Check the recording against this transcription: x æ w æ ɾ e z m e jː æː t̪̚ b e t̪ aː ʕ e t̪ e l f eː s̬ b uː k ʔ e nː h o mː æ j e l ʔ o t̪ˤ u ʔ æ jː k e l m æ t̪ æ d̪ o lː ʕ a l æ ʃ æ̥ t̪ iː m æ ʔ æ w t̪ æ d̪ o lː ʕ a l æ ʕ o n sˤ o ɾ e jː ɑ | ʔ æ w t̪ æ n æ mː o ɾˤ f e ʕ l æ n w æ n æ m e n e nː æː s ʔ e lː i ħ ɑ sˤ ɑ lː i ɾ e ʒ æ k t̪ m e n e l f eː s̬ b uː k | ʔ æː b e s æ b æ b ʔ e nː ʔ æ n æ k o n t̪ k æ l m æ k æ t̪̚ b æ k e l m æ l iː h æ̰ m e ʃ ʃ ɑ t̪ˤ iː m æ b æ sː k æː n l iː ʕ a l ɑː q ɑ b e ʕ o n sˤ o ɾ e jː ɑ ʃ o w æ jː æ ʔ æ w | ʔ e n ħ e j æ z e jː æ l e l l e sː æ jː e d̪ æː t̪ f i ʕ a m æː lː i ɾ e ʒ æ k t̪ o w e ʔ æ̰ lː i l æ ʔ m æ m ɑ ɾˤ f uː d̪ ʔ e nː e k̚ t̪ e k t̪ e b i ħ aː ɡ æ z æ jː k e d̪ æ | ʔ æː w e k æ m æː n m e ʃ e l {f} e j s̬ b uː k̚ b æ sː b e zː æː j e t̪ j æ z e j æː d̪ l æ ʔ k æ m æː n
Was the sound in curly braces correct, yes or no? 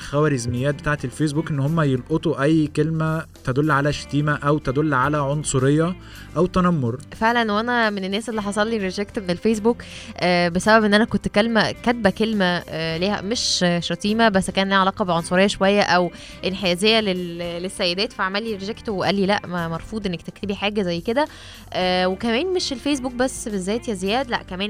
yes